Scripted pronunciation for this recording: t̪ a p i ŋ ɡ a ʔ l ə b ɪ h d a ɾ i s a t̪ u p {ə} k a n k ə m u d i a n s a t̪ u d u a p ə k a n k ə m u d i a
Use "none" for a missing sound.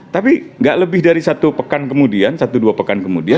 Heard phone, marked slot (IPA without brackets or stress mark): ə